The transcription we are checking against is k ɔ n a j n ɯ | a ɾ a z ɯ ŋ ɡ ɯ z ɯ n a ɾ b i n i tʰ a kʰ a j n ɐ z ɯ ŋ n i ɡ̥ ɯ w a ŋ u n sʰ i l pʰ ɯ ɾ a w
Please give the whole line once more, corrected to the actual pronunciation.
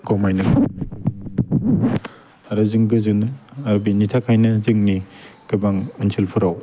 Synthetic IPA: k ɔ m a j n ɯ | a ɾ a z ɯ ŋ ɡ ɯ z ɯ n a ɾ b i n i tʰ a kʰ a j n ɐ z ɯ ŋ n i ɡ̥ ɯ b a ŋ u n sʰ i l pʰ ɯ ɾ a w